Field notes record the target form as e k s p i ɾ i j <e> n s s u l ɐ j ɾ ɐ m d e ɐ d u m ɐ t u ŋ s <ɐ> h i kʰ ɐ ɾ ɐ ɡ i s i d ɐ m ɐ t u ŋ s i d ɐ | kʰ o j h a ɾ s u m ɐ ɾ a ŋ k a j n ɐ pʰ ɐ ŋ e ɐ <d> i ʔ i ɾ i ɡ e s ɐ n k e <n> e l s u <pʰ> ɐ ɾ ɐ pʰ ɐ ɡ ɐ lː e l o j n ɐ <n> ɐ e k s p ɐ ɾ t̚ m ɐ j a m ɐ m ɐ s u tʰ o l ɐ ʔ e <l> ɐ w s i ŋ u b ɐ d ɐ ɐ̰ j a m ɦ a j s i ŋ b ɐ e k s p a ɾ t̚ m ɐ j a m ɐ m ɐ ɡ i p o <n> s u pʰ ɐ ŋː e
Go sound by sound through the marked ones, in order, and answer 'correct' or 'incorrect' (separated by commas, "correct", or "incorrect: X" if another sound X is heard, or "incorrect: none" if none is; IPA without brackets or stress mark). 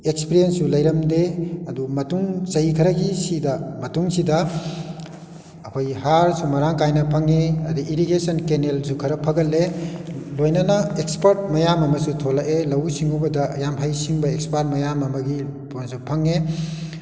correct, correct, correct, correct, incorrect: kʰ, correct, correct, correct